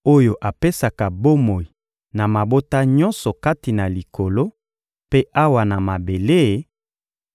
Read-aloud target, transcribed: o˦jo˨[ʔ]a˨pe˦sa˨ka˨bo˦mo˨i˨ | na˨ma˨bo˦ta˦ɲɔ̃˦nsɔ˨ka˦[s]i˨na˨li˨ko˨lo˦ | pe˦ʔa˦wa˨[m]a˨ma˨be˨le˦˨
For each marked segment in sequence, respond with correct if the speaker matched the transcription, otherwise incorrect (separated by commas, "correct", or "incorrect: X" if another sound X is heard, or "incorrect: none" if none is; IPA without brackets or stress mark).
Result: correct, incorrect: t, incorrect: n